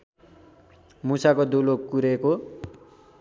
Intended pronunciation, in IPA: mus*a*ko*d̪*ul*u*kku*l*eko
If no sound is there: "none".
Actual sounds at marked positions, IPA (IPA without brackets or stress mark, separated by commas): a, d̪, o, ɾ